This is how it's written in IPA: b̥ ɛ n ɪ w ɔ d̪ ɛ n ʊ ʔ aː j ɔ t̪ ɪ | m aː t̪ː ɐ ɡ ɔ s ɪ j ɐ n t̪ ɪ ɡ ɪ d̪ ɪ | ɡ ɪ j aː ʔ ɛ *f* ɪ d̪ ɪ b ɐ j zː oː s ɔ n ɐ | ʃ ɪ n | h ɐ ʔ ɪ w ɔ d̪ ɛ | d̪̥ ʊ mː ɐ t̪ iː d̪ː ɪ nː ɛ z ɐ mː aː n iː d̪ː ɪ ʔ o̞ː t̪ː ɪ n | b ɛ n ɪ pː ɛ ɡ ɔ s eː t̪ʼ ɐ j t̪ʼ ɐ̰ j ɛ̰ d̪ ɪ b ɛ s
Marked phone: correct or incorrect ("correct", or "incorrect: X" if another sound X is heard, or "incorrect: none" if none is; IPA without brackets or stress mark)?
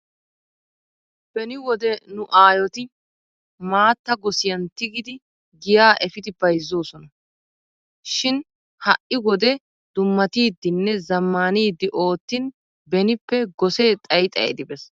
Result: correct